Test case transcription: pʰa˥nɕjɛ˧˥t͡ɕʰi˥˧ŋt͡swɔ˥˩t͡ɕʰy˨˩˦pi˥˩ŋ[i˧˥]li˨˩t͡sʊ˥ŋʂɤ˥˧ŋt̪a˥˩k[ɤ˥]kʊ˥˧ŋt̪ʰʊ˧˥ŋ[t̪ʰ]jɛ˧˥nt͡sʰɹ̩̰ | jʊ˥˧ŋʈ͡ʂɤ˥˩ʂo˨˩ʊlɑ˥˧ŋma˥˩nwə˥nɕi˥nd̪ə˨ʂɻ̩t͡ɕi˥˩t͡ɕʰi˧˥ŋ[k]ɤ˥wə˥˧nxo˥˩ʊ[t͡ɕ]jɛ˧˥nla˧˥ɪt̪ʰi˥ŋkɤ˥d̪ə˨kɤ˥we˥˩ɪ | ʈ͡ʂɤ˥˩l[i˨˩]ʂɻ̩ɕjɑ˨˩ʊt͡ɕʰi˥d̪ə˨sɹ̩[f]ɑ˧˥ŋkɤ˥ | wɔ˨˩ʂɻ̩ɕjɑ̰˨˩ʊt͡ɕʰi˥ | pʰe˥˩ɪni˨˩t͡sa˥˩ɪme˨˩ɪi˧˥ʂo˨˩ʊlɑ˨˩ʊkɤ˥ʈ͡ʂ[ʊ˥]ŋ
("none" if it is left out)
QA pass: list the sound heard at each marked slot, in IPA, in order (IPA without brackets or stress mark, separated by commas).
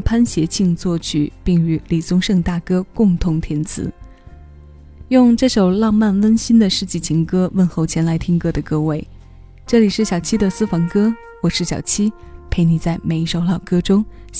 y˧˥, ɤ˥, t̪ʰ, k, t͡ɕʰ, i˨˩, f, ʊ˥